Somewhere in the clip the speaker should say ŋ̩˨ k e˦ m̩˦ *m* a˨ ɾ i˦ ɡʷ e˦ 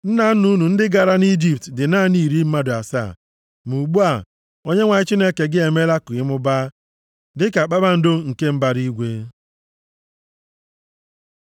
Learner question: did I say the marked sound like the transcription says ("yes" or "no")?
no